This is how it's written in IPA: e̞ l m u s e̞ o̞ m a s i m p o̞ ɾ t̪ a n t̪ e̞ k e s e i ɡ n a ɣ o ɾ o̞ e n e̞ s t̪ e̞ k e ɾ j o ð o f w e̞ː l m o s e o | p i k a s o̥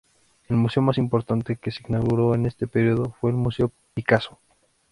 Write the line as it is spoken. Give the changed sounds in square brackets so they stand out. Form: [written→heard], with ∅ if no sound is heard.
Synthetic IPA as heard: e̞ l m u s e̞ o̞ m a s i m p o̞ ɾ t̪ a n t̪ e̞ k e s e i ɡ n a ɣ [o→u] ɾ o̞ e n e̞ s t̪ e̞ [k→p] e ɾ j o ð o f w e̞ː l m [o→u] s e o | p i k a s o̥